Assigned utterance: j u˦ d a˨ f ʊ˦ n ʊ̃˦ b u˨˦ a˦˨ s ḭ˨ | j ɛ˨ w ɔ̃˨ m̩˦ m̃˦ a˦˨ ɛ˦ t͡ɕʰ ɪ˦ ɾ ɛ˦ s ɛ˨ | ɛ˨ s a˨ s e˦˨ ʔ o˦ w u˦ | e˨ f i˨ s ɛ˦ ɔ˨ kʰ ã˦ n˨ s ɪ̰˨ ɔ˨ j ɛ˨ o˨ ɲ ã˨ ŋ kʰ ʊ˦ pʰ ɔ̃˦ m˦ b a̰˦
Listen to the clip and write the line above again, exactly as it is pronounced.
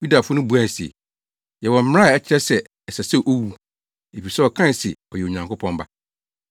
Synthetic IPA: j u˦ d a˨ f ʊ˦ n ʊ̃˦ b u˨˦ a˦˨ s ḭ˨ | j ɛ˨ w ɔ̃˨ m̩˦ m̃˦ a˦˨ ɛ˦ t͡ɕʰ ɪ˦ ɾ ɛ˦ s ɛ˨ | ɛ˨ s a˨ s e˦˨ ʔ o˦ w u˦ | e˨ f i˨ s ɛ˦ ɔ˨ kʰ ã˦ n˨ s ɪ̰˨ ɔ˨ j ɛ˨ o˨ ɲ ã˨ ŋ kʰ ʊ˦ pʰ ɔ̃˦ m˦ b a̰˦